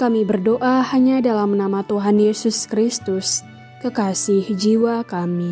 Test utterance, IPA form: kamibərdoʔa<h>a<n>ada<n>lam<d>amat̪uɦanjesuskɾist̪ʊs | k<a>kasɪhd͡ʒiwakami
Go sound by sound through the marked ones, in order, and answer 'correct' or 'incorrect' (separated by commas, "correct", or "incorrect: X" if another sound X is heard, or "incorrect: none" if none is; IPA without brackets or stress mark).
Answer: correct, incorrect: ɲ, incorrect: none, incorrect: n, incorrect: ə